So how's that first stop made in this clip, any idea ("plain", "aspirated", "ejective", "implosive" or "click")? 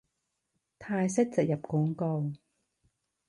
aspirated